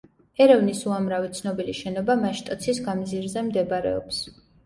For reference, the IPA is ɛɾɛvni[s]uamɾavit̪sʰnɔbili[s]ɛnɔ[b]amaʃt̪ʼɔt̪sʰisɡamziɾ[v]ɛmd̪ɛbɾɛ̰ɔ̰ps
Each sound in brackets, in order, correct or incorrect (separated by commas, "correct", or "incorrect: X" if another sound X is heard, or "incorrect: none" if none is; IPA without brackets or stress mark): correct, incorrect: ʃ, correct, incorrect: z